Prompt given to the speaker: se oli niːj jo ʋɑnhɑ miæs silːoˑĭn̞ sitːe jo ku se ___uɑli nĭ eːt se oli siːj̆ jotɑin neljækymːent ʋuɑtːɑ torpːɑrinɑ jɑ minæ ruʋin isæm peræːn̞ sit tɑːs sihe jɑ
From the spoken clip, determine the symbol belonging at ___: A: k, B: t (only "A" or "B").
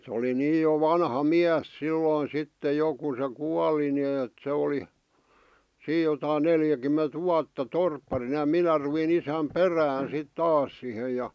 A